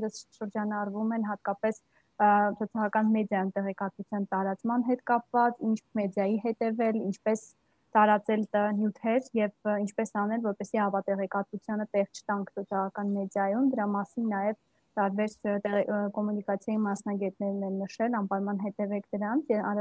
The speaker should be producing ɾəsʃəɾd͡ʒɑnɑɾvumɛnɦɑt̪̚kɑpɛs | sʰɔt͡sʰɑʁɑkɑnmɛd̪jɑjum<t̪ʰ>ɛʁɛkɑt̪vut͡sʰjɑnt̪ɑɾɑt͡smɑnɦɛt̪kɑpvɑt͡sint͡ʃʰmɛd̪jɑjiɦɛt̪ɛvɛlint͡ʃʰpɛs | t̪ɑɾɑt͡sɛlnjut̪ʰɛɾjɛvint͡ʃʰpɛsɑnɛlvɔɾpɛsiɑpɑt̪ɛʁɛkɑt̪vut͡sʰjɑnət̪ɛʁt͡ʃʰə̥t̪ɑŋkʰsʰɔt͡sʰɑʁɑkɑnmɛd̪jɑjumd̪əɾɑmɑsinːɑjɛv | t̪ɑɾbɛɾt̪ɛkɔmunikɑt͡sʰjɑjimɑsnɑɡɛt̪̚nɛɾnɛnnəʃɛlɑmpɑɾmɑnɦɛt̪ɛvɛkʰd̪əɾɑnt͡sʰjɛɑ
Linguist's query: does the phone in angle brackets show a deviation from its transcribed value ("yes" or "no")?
yes